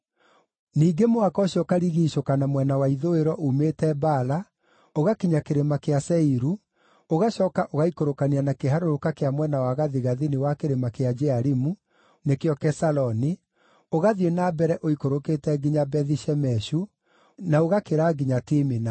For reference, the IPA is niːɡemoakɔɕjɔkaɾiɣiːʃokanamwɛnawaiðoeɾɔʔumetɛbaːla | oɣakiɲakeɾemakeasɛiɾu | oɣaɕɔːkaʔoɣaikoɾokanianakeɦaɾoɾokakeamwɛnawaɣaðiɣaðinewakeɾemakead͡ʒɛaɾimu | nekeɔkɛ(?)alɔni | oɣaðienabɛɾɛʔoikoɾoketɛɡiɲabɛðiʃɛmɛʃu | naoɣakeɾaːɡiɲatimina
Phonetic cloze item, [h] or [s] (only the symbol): s